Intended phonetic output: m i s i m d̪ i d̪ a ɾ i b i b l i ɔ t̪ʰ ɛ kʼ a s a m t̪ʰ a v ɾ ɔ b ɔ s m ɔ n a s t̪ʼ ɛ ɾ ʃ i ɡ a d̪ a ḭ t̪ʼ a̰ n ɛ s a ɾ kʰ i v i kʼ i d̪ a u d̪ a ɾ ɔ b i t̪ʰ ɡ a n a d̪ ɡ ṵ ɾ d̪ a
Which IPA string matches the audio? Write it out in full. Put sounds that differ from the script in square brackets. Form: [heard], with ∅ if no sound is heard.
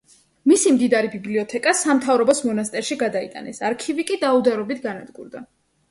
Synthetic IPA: m i s i m d̪ i d̪ a ɾ i b i b l i ɔ t̪ʰ ɛ kʼ a s a m t̪ʰ a v ɾ ɔ b ɔ s m ɔ n a s t̪ʼ ɛ ɾ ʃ i ɡ a d̪ a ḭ t̪ʼ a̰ n ɛ s a ɾ kʰ i v i kʼ i d̪ a u d̪ a ɾ ɔ b i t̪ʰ ɡ a n a d̪ ɡ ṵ ɾ d̪ a